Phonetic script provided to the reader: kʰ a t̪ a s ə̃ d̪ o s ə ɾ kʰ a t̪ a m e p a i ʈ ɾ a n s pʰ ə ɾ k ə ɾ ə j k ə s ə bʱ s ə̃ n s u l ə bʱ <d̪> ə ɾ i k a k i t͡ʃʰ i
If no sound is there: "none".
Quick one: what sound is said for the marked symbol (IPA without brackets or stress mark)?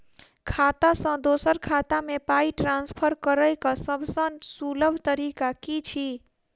t̪